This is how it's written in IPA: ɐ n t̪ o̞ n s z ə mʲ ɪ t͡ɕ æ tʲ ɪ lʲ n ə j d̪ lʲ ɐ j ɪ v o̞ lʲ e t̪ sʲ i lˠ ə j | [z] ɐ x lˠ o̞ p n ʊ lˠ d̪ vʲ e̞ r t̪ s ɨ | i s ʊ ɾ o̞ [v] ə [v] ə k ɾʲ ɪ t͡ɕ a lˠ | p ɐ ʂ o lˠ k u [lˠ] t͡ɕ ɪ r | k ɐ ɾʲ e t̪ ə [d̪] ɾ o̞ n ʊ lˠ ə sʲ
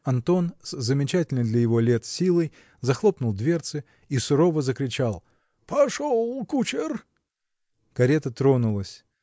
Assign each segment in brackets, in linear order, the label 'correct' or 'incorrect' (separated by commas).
correct, correct, incorrect, incorrect, incorrect